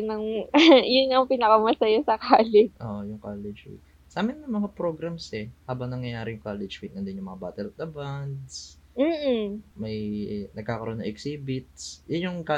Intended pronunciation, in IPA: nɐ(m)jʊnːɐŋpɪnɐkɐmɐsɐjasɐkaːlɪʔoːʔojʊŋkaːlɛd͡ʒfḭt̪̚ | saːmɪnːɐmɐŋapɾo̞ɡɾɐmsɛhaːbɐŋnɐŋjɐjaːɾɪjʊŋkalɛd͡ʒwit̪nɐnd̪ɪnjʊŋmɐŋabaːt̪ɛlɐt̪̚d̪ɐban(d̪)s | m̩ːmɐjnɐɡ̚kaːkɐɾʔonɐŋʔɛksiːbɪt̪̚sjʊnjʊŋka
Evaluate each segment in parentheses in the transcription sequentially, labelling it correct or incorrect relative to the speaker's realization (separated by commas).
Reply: incorrect, correct